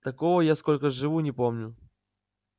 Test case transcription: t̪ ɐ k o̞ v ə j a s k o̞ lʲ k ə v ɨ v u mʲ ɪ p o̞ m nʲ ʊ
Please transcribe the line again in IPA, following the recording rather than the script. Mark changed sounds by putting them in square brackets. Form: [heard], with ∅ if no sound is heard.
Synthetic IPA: t̪ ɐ k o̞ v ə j a s k o̞ lʲ k ə [ʐ] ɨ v u [nʲ] ɪ p o̞ m nʲ ʊ